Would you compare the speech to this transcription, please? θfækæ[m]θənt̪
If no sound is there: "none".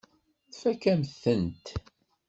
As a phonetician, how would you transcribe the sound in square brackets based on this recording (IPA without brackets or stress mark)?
m